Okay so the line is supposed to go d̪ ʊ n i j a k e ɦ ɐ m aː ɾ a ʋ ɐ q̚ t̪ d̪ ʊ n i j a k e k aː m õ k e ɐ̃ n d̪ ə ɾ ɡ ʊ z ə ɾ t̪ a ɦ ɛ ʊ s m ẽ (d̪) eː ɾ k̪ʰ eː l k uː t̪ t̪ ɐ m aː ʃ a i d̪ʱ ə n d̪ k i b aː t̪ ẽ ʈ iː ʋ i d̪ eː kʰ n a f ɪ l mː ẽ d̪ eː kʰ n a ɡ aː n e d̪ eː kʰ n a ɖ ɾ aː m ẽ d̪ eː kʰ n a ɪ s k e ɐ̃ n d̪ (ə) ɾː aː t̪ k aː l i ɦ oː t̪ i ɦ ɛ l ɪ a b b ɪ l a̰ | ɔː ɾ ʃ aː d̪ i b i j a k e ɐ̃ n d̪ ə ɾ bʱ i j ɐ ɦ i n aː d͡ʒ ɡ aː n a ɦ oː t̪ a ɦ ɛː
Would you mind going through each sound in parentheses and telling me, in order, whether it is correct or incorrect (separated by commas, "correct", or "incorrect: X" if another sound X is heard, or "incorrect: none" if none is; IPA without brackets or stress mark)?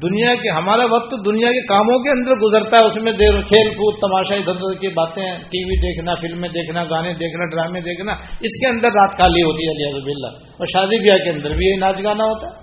correct, correct